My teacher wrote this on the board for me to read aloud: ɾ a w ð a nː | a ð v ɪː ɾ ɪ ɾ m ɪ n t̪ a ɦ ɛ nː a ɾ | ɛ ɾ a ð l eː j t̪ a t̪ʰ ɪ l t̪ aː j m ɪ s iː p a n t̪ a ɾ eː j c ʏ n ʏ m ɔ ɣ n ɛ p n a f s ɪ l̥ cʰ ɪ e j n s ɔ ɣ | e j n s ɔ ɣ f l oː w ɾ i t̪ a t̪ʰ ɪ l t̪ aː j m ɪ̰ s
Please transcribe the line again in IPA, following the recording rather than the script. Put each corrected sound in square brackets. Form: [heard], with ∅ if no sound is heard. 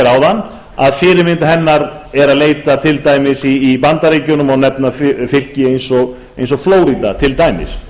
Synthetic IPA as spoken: ɾ a w ð a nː | a ð [f] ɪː ɾ ɪ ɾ m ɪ n t̪ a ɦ ɛ nː a ɾ | ɛ ɾ a ð l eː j t̪ a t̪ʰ ɪ l t̪ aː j m ɪ s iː p a n t̪ a ɾ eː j c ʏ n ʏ m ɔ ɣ n ɛ p n a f [f] ɪ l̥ [c] ɪ e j n s ɔ ɣ | e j n s ɔ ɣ f l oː w ɾ i t̪ a t̪ʰ ɪ l t̪ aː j m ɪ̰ s